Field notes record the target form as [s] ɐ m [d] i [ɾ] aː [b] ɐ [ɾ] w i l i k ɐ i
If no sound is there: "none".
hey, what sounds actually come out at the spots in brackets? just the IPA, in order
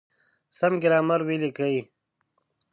s, ɡ, ɾ, m, ɾ

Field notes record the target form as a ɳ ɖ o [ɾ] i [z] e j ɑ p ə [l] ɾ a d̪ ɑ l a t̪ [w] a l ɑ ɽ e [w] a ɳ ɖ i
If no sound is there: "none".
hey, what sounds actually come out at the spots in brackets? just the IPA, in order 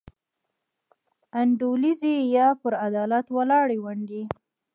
l, z, none, w, w

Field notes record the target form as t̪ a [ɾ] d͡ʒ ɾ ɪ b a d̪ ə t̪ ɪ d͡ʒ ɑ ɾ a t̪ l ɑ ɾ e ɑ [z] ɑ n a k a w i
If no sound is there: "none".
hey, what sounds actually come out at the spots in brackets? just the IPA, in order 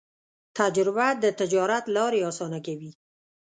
none, s

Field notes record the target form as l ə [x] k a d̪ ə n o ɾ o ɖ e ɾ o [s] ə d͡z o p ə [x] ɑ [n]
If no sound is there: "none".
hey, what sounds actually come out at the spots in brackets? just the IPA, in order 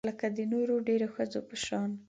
none, x, ʃ, n

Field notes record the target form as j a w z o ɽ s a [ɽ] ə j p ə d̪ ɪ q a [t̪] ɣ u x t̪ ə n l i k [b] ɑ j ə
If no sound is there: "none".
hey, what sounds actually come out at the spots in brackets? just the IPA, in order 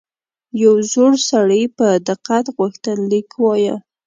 ɽ, t̪, w

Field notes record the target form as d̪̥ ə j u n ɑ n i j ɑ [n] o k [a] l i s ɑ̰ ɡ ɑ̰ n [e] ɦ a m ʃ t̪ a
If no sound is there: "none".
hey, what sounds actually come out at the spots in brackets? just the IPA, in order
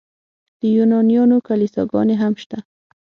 n, a, e

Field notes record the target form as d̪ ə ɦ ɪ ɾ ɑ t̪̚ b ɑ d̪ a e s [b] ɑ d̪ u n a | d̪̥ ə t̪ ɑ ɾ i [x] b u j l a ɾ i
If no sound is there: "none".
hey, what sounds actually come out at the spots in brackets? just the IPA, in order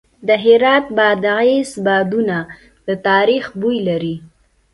b, x

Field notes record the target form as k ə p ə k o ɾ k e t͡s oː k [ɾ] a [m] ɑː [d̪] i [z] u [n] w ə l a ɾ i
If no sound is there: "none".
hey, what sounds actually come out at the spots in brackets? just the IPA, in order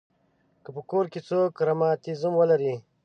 ɾ, m, t̪, z, m

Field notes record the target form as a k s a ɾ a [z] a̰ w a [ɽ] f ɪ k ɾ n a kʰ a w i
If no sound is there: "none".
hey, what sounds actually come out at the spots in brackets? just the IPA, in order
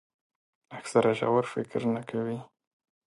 ʒ, ɾ

